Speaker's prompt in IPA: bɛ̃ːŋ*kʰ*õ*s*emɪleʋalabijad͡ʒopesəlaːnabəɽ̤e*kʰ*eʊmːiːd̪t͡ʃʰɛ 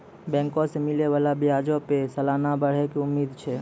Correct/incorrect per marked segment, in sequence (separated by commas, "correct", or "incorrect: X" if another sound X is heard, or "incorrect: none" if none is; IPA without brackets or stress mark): incorrect: k, correct, incorrect: k